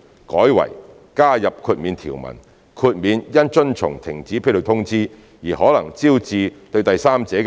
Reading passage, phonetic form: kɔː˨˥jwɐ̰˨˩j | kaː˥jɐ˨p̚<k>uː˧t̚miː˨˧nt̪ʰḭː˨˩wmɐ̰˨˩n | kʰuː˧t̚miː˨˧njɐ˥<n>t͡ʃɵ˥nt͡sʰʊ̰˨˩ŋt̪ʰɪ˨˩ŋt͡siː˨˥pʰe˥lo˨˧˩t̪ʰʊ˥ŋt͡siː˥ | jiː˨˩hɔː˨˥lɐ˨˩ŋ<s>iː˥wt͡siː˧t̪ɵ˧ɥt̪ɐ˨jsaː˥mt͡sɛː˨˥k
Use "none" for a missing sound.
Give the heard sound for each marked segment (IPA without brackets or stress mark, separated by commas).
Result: kʰ, n, t͡s